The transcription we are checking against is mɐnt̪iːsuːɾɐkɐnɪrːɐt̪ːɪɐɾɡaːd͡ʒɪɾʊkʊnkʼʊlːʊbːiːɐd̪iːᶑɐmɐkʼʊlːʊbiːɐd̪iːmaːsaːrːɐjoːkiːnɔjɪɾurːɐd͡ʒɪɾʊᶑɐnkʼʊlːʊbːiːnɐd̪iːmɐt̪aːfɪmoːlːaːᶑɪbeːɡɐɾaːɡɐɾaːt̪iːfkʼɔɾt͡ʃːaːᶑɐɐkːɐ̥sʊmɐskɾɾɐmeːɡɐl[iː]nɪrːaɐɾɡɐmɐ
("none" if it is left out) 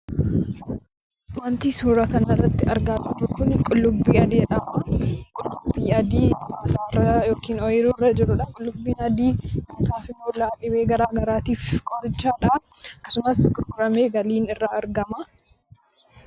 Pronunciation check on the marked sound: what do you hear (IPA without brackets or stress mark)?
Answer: iː